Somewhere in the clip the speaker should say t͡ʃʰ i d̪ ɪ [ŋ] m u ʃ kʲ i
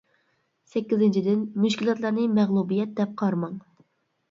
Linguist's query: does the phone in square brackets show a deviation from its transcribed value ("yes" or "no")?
yes